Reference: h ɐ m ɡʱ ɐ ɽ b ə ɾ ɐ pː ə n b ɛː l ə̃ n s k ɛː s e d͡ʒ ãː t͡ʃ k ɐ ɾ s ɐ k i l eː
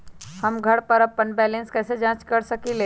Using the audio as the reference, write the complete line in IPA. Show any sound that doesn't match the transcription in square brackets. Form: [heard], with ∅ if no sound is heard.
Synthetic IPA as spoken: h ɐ m ɡʱ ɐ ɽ [p] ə ɾ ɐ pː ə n b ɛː l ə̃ n s k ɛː s e d͡ʒ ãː t͡ʃ k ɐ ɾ s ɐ k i l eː